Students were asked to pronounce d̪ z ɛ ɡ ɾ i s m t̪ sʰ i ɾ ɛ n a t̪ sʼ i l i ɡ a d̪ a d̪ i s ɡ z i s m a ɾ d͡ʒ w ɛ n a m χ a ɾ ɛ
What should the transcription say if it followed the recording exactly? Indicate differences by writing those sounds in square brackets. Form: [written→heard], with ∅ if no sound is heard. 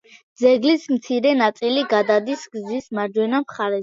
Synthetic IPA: d̪ z ɛ ɡ [ɾ→l] i s m t̪ sʰ i ɾ ɛ n a t̪ sʼ i l i ɡ a d̪ a d̪ i s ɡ z i s m a ɾ d͡ʒ w ɛ n a m χ a ɾ ɛ